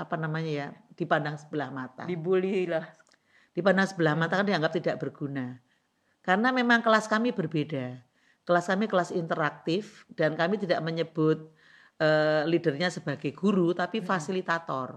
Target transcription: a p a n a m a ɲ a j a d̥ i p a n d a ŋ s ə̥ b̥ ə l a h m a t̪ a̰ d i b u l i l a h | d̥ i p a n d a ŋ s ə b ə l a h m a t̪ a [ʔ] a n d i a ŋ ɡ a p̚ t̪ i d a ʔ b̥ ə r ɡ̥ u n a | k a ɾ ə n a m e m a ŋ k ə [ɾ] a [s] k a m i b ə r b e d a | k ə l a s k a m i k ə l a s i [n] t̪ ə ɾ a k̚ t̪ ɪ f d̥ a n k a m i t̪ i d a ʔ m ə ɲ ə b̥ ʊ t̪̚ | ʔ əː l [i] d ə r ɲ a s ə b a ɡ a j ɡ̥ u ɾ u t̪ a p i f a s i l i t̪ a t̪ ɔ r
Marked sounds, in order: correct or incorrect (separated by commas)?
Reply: incorrect, incorrect, correct, correct, correct